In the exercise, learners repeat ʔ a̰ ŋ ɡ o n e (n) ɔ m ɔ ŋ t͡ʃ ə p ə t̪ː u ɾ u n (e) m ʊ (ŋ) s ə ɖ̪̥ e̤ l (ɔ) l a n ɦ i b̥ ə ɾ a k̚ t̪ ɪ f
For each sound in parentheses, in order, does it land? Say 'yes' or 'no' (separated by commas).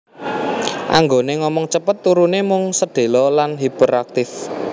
no, yes, yes, yes